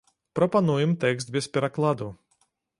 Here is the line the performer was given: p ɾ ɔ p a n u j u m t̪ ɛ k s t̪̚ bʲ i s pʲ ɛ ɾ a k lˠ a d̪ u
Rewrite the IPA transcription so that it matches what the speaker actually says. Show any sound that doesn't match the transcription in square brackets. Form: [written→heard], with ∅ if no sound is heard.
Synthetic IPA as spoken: p ɾ ɔ p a n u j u m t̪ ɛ k s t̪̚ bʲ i s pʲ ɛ ɾ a k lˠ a d̪ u

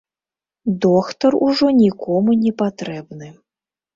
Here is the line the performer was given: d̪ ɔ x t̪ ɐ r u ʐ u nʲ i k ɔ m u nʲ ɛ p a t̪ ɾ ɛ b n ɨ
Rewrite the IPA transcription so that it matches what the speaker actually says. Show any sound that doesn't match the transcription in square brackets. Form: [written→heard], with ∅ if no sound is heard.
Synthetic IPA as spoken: d̪ ɔ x t̪ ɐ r u ʐ [u→ɔ] nʲ i k ɔ m u nʲ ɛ p a t̪ ɾ ɛ b n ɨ

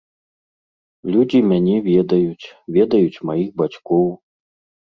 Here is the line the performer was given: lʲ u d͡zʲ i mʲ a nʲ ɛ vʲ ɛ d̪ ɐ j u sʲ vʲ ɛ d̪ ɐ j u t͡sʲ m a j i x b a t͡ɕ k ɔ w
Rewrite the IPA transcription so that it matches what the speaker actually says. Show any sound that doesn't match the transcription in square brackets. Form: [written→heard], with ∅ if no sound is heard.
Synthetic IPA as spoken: lʲ u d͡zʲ i mʲ a nʲ ɛ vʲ ɛ d̪ ɐ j u [sʲ→t͡sʲ] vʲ ɛ d̪ ɐ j u t͡sʲ m a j i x b a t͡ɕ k ɔ w

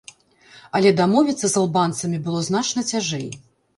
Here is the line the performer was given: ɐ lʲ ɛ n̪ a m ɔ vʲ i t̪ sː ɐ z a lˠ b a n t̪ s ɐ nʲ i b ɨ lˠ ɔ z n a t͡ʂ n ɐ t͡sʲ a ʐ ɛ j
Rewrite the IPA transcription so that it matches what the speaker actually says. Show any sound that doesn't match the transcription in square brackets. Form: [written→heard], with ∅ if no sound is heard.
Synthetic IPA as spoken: ɐ lʲ ɛ [n̪→d̪] a m ɔ vʲ i t̪ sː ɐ z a lˠ b a n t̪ s ɐ [nʲ→mʲ] i b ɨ lˠ ɔ z n a t͡ʂ n ɐ t͡sʲ a ʐ ɛ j

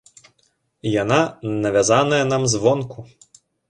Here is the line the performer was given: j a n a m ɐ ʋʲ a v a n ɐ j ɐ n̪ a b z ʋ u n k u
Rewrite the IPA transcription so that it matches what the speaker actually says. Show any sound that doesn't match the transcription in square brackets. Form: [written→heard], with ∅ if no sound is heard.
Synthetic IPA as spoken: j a n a [m→n] ɐ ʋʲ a [v→z] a n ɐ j ɐ n̪ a [b→m] z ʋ [u→ɔ] n k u

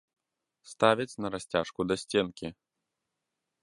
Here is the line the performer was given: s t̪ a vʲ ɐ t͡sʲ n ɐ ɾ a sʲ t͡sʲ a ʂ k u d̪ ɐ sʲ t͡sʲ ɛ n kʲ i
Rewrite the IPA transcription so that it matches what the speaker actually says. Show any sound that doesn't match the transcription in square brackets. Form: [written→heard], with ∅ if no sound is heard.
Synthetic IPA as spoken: s t̪ a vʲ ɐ t͡sʲ n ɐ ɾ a sʲ t͡sʲ a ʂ k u d̪ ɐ sʲ t͡sʲ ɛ n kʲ i

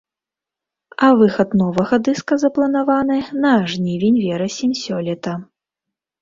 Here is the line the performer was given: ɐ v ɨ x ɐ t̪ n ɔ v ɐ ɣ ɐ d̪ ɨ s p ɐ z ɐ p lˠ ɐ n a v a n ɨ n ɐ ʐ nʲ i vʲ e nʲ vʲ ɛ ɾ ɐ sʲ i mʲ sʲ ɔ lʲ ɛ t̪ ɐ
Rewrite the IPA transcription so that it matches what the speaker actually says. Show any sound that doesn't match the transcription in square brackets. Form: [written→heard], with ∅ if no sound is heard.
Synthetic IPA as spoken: ɐ v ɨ x ɐ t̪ n ɔ v ɐ ɣ ɐ d̪ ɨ s [p→k] ɐ z ɐ p lˠ ɐ n a v a n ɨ n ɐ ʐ nʲ i vʲ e nʲ vʲ ɛ ɾ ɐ sʲ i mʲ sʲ ɔ lʲ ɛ t̪ ɐ

